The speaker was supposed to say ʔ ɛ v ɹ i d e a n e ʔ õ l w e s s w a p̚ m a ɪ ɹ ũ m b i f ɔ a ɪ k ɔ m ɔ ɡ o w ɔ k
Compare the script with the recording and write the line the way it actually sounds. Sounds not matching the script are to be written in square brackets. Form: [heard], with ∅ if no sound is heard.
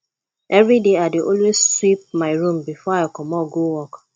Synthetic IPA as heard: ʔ ɛ v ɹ i d e a [d] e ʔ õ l w e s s w [i] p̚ m a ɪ ɹ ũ m b i f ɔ a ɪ k ɔ m ɔ ɡ o w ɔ k